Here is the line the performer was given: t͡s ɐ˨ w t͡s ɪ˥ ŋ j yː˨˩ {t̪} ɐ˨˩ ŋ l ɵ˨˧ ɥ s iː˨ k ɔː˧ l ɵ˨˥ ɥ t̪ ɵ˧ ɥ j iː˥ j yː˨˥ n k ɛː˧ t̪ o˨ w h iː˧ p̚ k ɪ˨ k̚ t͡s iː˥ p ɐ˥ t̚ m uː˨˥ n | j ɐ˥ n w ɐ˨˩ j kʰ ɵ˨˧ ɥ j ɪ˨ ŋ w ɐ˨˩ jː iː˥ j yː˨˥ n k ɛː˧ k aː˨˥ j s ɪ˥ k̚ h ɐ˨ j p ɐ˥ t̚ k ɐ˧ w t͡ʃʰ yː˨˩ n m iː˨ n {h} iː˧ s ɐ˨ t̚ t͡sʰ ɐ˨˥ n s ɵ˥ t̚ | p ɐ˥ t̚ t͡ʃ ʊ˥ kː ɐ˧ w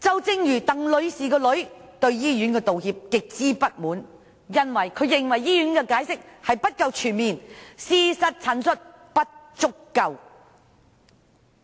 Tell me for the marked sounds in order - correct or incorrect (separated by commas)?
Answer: correct, incorrect